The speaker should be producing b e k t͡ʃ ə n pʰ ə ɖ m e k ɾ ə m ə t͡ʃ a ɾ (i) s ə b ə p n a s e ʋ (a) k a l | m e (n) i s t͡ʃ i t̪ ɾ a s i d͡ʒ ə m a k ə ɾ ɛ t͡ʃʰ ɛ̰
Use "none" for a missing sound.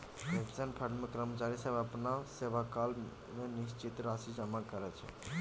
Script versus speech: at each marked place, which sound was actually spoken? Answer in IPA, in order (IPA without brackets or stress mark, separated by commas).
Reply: i, a, n